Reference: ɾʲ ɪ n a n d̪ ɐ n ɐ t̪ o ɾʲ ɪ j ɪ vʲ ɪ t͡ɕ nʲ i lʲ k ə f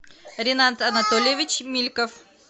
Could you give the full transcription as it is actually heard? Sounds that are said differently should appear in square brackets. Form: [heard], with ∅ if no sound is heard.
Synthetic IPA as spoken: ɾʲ ɪ n a n [t̪] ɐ n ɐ t̪ o [lʲ] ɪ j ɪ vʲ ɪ t͡ɕ [mʲ] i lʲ k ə f